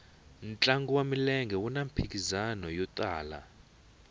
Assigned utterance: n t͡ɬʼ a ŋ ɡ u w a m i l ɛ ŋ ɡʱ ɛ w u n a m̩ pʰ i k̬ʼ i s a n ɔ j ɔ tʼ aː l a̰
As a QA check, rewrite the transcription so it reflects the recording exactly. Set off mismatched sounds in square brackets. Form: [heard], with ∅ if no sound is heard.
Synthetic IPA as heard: n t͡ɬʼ a ŋ ɡ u w a m i l ɛ ŋ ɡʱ ɛ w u n a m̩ pʰ i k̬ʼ i [z] a n ɔ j ɔ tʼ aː l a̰